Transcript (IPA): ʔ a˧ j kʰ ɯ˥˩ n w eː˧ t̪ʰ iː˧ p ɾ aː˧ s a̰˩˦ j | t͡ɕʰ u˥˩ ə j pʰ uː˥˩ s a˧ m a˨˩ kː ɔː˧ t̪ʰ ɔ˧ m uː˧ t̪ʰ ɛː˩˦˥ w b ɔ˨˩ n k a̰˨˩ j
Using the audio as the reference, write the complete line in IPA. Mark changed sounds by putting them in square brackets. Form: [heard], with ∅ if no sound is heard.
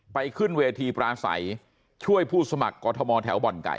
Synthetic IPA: [p] a˧ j kʰ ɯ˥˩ n w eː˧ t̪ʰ iː˧ p ɾ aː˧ s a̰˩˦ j | t͡ɕʰ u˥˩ ə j pʰ uː˥˩ s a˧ m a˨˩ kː ɔː˧ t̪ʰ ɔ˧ m [ɔː˧] t̪ʰ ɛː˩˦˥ w b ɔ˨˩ n k a̰˨˩ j